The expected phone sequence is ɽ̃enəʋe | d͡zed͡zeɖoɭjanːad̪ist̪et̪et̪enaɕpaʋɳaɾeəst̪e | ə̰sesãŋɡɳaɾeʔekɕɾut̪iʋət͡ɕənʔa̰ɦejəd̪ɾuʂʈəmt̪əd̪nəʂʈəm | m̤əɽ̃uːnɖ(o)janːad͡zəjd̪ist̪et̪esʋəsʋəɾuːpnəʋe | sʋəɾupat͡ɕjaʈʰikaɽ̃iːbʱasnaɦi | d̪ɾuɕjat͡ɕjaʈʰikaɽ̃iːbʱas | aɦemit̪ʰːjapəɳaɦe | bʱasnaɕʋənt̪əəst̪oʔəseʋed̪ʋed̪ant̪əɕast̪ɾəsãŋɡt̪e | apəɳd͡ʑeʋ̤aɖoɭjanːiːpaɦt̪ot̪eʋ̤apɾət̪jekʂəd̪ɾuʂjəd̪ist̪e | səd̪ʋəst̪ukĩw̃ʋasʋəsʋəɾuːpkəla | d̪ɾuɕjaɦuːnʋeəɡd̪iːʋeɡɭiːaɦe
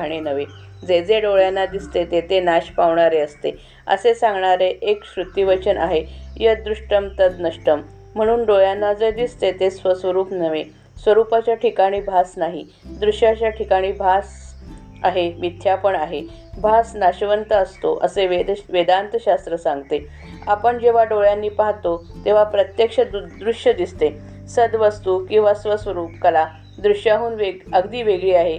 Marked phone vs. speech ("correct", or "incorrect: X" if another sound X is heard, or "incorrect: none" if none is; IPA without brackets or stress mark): correct